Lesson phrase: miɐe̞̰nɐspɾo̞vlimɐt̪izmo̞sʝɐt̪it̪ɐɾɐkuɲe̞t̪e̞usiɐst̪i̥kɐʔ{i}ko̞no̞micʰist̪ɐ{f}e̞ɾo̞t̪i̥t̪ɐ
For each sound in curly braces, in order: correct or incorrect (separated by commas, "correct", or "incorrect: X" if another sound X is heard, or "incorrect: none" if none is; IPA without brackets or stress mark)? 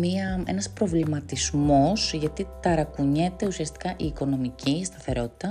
incorrect: iː, incorrect: θ